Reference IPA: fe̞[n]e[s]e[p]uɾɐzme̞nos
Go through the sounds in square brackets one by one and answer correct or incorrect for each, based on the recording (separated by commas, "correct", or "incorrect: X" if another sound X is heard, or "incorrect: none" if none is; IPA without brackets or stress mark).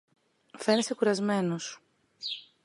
correct, correct, incorrect: k